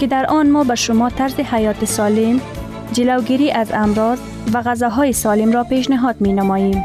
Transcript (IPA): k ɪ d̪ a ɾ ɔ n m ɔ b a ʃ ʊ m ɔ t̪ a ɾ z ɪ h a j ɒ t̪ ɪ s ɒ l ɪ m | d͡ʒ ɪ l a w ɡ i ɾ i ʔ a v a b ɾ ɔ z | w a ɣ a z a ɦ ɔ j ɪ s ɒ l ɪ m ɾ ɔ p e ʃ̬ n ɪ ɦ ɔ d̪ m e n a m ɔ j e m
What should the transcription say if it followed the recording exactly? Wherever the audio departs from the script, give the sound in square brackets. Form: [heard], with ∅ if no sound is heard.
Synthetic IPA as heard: k ɪ d̪ a ɾ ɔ n m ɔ b a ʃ ʊ m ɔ t̪ a ɾ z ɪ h a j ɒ t̪ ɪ s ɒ l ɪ m | d͡ʒ ɪ l a w ɡ i ɾ i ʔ a [z] a [m] ɾ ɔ z | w a ɣ a z a ɦ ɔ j ɪ s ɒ l ɪ m ɾ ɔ p e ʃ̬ n ɪ ɦ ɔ d̪ m e n a m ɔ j e m